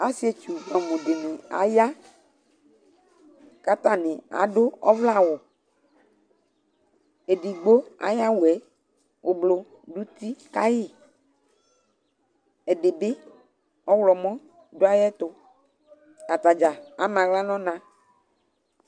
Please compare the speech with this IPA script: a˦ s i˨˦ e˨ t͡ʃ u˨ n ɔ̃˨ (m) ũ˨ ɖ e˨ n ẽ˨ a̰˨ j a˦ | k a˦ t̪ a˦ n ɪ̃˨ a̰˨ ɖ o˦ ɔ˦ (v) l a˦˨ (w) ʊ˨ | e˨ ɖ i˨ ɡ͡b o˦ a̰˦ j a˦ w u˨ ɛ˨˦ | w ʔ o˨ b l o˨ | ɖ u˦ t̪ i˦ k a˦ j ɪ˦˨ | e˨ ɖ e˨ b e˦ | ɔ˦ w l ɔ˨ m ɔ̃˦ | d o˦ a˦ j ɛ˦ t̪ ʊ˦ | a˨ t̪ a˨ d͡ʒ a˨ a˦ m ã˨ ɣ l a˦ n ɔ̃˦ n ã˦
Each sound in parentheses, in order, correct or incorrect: correct, correct, correct

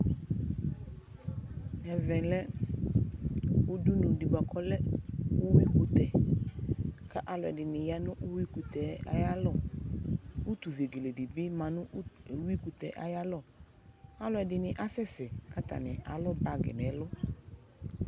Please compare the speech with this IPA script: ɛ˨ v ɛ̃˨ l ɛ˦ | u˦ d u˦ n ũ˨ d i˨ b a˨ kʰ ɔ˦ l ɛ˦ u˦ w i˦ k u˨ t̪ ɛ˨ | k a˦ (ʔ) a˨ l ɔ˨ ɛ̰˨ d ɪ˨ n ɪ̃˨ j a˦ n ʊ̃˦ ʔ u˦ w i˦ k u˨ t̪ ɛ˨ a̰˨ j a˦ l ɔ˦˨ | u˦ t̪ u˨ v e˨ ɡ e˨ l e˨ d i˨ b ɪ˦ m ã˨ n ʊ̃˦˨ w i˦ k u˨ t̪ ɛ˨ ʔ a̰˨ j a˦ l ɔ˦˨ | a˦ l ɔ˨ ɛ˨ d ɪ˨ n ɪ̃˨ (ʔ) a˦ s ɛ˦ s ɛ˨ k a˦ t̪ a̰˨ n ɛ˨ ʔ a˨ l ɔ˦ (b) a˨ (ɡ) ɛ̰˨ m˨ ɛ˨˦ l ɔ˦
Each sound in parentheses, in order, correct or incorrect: correct, correct, correct, correct

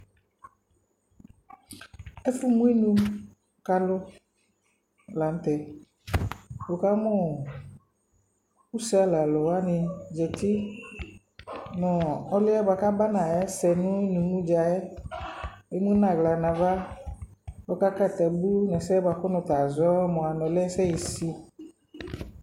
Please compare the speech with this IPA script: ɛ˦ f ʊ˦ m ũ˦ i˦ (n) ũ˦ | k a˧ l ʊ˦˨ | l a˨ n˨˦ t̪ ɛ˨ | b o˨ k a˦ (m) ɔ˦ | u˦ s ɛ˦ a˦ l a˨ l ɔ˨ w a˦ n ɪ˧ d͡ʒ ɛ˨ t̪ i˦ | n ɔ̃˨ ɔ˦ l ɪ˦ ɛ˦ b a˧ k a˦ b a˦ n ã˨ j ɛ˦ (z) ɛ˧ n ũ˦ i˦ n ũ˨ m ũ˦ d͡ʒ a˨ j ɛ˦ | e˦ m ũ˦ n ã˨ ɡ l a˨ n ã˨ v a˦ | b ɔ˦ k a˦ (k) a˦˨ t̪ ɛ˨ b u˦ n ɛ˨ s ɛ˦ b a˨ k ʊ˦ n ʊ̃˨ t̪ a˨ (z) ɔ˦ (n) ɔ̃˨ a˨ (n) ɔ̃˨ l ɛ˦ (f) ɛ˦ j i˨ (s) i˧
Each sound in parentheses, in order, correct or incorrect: correct, correct, incorrect: s, correct, correct, incorrect: m, correct, incorrect: s, correct

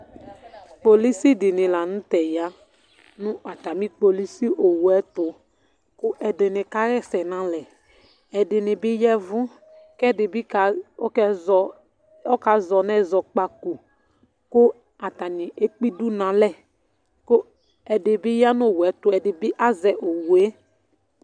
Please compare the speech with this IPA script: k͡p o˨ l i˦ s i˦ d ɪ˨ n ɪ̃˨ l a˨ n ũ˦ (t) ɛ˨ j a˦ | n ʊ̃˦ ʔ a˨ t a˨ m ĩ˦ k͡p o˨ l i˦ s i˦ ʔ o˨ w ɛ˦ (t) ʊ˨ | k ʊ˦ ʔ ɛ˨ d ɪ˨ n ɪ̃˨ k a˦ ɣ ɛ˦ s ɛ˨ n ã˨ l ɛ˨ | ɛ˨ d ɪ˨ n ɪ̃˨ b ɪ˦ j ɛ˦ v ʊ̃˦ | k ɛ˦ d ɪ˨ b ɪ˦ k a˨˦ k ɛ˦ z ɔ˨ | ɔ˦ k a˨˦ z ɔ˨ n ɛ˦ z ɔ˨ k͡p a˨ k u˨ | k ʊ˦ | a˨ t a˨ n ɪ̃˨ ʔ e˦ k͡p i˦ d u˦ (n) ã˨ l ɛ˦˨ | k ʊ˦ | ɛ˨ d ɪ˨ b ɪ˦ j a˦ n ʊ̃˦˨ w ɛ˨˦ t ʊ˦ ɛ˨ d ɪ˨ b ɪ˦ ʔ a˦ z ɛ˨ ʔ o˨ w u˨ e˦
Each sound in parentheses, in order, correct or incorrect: correct, correct, correct

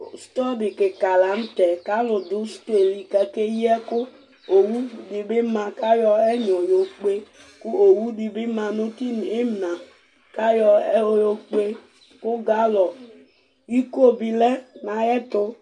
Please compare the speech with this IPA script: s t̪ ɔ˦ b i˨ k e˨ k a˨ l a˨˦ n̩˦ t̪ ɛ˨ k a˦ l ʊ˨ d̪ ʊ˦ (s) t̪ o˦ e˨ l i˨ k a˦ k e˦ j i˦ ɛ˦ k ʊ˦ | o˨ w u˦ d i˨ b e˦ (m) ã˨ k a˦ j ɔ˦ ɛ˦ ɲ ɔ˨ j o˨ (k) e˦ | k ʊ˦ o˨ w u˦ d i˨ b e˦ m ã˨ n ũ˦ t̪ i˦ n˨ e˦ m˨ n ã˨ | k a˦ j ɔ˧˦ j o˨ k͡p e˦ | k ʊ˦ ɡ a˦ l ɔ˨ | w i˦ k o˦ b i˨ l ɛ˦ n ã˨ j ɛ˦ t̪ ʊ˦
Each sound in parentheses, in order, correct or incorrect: correct, correct, incorrect: k͡p

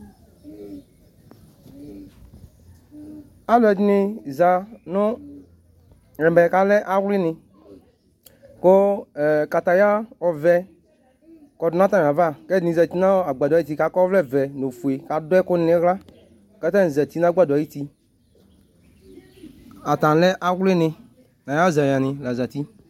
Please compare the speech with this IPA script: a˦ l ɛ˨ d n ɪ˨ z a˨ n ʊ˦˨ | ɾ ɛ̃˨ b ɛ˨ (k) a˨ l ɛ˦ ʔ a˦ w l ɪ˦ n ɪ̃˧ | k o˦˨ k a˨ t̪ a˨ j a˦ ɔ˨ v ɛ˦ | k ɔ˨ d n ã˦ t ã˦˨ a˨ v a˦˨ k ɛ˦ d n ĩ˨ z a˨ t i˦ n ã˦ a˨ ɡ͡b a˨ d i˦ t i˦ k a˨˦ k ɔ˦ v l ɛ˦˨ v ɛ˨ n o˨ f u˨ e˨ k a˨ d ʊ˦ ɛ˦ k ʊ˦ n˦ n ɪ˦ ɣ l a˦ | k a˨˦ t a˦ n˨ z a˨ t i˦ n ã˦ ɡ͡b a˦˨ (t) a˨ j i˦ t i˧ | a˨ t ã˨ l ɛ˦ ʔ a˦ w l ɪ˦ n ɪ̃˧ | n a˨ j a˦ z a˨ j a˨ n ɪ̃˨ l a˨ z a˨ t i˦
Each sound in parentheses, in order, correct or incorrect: correct, incorrect: d

